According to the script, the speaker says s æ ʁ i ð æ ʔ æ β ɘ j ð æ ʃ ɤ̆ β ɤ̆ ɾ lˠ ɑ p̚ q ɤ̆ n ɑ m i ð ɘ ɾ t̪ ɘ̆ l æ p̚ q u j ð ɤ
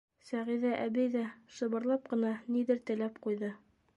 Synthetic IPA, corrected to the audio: s æ ʁ i ð æ ʔ æ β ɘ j ð æ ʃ ɤ̆ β ɤ̆ ɾ lˠ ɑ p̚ q ɤ̆ n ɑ n i ð ɘ ɾ t̪ ɘ̆ l æ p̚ q u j ð ɤ